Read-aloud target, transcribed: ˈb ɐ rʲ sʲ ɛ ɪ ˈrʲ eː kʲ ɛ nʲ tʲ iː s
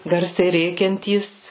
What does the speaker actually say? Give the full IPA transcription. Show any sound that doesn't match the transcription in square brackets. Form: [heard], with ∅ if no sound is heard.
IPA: [ˈɡ] ɐ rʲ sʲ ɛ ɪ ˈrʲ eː kʲ ɛ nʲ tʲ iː s